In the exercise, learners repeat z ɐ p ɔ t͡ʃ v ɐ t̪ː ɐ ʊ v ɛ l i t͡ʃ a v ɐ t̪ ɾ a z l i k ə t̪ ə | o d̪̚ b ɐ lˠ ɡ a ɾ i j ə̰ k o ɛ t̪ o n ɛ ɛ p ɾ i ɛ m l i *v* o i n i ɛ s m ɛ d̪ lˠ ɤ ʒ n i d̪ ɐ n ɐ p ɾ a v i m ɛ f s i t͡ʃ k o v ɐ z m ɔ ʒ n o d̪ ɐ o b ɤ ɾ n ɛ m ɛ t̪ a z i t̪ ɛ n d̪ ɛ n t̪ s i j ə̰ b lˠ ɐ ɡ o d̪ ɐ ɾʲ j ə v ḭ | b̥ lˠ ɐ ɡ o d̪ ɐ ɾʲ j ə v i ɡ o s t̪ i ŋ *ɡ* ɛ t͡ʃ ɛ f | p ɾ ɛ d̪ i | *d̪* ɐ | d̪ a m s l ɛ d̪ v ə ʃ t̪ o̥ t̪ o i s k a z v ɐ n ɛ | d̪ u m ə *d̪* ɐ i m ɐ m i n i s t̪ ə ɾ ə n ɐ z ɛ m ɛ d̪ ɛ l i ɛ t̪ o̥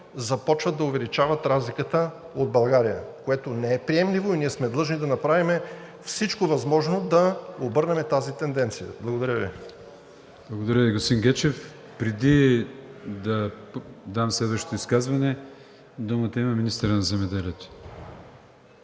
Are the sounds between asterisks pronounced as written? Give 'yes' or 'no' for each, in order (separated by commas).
yes, yes, yes, no